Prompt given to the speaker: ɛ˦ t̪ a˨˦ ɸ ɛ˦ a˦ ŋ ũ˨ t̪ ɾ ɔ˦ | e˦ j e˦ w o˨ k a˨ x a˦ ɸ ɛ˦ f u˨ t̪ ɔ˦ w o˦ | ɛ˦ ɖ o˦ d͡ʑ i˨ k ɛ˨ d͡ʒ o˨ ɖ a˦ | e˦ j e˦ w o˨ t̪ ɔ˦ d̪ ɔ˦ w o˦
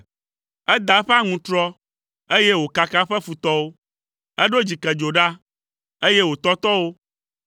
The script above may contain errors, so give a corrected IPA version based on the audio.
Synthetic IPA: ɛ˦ d̪ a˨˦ ɸ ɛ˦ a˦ ŋ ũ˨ t̪ ɾ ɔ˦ | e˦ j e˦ w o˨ k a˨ k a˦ ɸ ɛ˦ f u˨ t̪ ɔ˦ w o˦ | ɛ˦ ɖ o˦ d͡ʑ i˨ k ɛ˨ d͡ʒ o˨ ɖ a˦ | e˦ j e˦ w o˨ t̪ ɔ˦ t̪ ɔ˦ w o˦